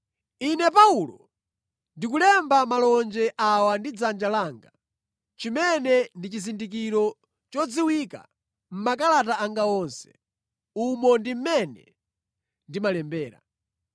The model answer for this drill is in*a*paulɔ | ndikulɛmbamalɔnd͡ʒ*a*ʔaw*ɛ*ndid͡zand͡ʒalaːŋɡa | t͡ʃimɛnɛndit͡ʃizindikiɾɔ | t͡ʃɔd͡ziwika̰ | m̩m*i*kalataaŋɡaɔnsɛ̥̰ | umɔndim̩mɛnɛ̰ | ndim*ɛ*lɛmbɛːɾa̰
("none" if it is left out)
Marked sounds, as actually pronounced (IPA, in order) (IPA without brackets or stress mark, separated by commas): ɛ, ɛ, a, a, a